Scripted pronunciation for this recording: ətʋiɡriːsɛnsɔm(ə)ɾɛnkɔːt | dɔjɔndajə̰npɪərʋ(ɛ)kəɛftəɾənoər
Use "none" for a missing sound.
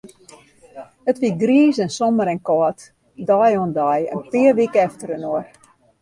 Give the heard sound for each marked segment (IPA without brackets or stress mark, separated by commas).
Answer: ə, i